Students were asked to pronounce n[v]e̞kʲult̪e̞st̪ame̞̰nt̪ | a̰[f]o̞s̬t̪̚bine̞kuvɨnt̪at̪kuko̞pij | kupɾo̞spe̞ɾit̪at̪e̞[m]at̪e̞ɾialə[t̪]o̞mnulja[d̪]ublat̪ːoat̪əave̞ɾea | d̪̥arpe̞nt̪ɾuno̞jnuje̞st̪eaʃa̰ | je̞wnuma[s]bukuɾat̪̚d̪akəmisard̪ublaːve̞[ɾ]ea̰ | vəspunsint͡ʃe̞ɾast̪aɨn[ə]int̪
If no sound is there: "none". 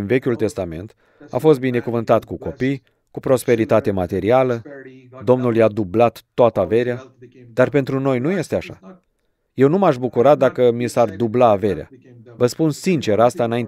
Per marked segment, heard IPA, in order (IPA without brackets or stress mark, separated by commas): v, f, m, d̪, d̪, ʃ, ɾ, a